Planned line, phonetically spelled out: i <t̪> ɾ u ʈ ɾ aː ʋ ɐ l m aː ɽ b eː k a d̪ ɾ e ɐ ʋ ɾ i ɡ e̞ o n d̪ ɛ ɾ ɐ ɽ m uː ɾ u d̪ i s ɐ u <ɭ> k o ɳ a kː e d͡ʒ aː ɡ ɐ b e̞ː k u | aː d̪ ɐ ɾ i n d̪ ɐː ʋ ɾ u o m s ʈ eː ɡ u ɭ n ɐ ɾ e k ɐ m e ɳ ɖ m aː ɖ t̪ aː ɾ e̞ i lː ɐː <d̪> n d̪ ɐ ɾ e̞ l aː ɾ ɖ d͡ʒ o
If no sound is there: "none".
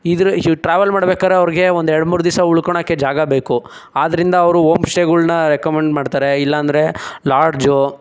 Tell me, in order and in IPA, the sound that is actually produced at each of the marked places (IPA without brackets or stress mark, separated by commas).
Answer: d̪, ɭ, none